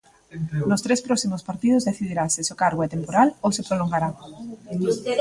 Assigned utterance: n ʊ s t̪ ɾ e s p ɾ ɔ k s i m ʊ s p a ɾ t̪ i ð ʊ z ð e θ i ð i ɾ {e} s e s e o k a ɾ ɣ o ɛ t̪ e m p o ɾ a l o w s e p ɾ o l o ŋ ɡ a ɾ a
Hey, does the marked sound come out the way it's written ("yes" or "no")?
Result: no